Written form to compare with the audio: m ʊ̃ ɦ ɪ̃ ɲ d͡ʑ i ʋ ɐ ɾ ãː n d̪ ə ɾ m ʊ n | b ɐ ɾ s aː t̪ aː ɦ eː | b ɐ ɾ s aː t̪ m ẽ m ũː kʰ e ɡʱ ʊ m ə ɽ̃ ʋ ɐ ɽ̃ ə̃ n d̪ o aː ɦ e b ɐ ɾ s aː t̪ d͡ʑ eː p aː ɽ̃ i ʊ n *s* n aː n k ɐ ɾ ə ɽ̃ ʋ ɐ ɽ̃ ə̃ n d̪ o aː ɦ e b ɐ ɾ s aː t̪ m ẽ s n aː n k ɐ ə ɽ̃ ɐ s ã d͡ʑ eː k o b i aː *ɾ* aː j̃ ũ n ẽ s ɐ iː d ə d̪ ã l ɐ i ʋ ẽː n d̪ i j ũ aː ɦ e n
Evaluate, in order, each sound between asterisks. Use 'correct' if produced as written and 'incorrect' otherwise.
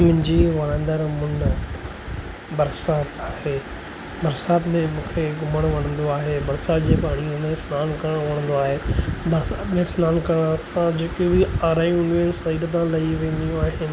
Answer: correct, correct

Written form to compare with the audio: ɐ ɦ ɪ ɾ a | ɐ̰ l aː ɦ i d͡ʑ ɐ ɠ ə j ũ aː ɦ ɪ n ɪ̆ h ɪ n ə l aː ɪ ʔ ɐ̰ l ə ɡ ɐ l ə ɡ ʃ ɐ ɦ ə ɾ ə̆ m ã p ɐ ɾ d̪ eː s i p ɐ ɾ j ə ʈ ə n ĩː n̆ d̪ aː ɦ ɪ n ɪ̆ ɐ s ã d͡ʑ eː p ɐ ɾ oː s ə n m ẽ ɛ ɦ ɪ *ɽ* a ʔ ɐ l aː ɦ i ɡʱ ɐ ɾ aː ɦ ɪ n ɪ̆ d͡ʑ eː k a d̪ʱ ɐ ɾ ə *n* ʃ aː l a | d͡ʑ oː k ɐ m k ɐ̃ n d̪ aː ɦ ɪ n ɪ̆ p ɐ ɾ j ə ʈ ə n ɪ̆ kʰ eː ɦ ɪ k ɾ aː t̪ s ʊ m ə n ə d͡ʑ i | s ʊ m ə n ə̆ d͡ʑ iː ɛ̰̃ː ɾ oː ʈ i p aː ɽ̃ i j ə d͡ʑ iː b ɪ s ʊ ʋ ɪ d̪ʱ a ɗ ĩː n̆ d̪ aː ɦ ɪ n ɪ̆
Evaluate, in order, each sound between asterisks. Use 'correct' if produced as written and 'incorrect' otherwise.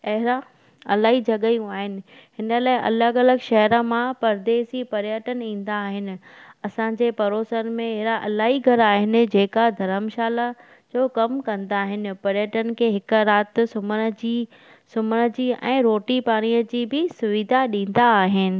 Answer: incorrect, incorrect

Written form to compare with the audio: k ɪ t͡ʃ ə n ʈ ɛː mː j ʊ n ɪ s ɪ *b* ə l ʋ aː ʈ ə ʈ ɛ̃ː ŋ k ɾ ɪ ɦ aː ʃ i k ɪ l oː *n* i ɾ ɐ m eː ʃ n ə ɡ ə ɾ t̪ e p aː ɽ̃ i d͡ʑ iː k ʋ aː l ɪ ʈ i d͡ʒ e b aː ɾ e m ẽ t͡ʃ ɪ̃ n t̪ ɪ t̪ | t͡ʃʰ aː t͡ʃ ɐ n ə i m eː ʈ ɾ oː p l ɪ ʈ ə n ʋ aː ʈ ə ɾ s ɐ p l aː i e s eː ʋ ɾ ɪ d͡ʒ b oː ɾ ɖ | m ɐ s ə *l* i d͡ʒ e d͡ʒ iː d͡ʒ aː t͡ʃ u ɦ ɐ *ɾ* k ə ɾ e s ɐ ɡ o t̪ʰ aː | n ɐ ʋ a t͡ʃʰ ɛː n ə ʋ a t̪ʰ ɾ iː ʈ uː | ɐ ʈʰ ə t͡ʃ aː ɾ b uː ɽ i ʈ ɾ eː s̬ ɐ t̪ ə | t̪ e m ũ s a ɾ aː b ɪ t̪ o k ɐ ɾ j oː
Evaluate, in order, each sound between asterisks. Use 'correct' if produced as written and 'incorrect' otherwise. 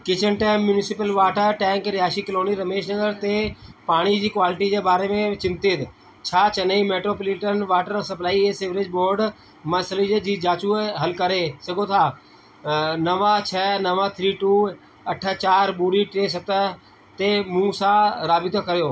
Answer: incorrect, correct, correct, incorrect

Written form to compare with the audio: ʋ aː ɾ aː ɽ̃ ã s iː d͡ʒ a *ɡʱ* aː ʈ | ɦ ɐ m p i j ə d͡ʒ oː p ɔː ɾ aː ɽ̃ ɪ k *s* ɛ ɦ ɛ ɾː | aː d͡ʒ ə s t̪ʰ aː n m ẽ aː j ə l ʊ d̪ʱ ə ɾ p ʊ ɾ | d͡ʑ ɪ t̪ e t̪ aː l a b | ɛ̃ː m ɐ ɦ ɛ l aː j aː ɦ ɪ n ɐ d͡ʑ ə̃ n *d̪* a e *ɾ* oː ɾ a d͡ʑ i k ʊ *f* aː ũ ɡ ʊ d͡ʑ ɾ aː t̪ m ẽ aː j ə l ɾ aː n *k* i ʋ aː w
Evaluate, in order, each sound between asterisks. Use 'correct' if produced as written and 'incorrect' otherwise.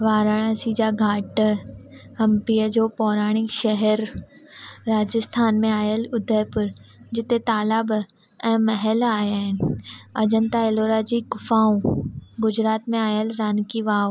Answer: correct, incorrect, incorrect, incorrect, correct, correct

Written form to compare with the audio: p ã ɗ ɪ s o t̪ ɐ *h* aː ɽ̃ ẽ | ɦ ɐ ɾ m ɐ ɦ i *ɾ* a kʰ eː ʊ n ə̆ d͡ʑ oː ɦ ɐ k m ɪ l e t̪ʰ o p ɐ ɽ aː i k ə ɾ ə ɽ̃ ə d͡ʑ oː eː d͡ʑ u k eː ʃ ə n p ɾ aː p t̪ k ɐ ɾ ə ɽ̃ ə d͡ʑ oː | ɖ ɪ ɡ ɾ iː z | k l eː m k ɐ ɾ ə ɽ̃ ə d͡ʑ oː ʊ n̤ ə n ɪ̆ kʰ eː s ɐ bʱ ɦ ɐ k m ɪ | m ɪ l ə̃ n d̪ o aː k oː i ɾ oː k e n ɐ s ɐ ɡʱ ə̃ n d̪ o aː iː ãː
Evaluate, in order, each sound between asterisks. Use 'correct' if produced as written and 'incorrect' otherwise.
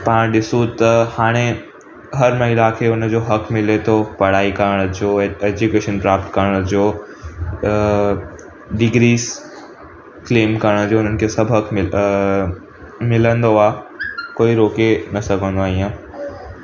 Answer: correct, incorrect

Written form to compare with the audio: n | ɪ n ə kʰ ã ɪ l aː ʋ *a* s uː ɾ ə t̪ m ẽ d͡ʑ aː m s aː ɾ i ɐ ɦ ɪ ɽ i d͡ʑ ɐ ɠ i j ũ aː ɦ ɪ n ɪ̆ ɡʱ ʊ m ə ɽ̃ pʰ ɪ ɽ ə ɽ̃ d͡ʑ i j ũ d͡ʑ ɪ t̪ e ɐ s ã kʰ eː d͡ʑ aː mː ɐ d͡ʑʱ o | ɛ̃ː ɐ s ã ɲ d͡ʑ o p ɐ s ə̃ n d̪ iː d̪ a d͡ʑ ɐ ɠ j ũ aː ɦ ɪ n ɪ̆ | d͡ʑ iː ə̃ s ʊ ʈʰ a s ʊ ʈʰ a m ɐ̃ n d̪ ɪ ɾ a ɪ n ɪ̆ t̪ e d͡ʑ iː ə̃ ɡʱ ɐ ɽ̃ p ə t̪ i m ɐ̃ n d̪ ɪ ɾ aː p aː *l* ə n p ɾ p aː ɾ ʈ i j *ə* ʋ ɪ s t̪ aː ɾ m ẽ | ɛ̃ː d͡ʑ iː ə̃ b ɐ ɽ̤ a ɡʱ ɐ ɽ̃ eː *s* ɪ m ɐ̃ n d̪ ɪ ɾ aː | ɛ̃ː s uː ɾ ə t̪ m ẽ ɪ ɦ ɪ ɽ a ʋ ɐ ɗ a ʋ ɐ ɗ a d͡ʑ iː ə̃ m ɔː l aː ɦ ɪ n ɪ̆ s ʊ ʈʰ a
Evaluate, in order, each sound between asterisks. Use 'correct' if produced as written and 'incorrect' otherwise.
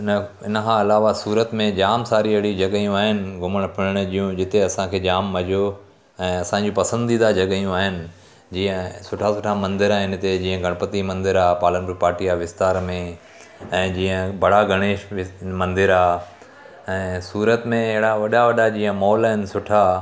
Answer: correct, correct, incorrect, incorrect

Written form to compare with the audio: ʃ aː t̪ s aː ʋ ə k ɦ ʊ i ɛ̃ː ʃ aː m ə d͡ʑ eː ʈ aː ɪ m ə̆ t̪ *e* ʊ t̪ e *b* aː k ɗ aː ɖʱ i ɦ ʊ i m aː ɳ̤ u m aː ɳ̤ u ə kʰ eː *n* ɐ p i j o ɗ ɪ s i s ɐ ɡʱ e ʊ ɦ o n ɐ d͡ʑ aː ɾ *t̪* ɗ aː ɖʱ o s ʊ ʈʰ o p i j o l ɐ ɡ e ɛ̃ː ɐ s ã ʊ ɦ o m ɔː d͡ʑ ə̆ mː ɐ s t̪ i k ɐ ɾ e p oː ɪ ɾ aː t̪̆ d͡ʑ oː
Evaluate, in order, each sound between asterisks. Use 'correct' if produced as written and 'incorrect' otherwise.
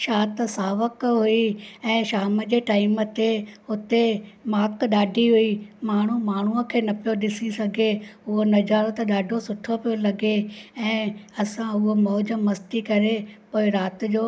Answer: correct, incorrect, correct, correct

